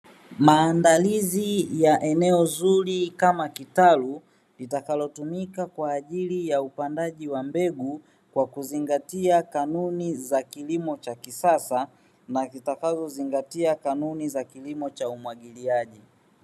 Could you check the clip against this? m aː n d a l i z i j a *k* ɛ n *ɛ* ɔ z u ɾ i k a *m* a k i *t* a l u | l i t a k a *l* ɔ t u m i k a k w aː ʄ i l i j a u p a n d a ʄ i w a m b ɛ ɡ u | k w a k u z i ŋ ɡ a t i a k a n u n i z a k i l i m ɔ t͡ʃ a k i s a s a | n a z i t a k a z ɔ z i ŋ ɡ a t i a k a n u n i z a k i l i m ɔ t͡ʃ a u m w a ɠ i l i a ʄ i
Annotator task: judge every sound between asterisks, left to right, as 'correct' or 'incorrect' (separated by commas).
incorrect, correct, correct, correct, correct